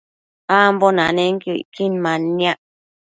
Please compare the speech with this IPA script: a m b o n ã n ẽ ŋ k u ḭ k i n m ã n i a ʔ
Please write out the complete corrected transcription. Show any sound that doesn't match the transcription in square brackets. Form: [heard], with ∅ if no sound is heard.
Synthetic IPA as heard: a m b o n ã n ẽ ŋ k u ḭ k i n m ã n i a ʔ